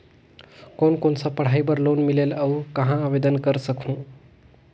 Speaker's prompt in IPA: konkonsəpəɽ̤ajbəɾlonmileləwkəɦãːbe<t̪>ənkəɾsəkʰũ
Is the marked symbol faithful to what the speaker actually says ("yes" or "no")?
no